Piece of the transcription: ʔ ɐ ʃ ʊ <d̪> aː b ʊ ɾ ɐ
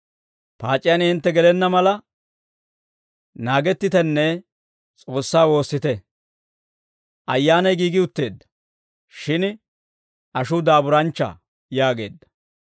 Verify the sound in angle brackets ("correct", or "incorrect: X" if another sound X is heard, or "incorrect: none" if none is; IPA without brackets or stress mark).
correct